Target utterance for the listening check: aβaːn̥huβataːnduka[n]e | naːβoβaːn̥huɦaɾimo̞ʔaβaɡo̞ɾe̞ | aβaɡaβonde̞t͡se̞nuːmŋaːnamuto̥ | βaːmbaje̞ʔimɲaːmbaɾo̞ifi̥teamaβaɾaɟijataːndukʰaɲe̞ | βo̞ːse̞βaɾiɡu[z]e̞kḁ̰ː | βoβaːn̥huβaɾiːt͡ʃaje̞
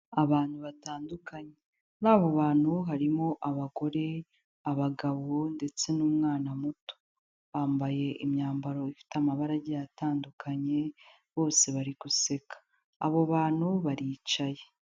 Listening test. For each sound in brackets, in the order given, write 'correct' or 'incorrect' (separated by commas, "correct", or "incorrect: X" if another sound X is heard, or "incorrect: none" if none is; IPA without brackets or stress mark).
incorrect: ɲ, incorrect: s